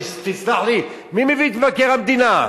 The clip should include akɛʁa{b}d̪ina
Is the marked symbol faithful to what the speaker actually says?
no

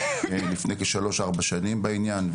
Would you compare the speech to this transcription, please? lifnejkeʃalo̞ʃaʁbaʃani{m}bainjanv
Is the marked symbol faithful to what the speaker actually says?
yes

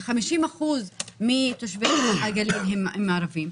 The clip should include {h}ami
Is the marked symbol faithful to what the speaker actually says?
no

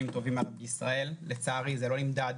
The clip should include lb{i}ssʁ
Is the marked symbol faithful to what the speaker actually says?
yes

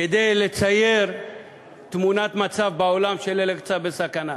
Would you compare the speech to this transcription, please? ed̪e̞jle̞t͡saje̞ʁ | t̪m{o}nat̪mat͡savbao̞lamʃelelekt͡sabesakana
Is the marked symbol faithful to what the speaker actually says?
no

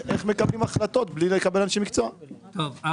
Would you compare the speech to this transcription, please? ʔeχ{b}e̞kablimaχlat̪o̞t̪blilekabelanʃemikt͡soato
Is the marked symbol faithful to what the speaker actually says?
no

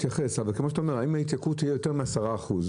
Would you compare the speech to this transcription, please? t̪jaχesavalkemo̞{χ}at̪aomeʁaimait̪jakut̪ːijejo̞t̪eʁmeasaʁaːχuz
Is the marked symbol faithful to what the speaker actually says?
no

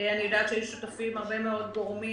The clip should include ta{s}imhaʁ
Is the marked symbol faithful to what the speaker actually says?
no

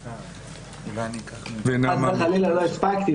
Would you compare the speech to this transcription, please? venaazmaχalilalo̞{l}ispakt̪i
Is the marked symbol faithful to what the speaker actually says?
no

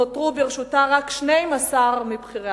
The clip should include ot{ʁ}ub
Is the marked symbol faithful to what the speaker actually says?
yes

